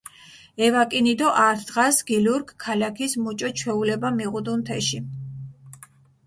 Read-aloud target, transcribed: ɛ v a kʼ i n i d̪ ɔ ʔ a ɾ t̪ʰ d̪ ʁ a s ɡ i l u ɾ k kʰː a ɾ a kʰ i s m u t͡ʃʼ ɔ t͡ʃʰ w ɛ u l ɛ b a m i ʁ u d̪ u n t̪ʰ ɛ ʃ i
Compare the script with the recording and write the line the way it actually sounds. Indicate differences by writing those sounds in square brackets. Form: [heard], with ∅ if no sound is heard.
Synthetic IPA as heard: ɛ v a kʼ i n i d̪ ɔ ʔ a ɾ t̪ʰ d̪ ʁ a s ɡ i l u ɾ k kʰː a [l] a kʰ i s m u t͡ʃʼ ɔ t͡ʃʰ w ɛ u l ɛ b a m i ʁ u d̪ u n t̪ʰ ɛ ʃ i